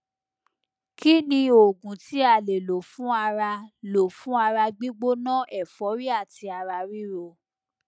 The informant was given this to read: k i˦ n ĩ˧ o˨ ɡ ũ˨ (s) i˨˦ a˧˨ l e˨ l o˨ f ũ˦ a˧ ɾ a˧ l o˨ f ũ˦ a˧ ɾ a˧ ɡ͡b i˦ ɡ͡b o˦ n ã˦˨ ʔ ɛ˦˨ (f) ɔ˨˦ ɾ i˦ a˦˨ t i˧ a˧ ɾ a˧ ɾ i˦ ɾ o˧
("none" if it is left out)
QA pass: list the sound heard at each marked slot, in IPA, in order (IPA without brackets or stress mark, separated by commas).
t, f